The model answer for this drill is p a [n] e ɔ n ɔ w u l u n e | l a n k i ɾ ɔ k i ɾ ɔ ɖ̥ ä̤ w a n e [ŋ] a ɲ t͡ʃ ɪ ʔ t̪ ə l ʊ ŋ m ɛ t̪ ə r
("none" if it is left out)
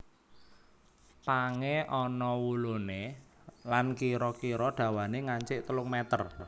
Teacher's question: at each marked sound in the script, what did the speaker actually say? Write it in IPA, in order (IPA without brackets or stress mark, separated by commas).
ŋ, ŋ